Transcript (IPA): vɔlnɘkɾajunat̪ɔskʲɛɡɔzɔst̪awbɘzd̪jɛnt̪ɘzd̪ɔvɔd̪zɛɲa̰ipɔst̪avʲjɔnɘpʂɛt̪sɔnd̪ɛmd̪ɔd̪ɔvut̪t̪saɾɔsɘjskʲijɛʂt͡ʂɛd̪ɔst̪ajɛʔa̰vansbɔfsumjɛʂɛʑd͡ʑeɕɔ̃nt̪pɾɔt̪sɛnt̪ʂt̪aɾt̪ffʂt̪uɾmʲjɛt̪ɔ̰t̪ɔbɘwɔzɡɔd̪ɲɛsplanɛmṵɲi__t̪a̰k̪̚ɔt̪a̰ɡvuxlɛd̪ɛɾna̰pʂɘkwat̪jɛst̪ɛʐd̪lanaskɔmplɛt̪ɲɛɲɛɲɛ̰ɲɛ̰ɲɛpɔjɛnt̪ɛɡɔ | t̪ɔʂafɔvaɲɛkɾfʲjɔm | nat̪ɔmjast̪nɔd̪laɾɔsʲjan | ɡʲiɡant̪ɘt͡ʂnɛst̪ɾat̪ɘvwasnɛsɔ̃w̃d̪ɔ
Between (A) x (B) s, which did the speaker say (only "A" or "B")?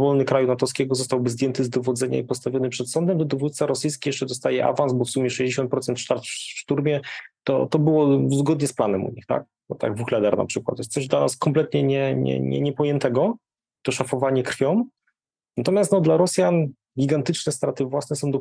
A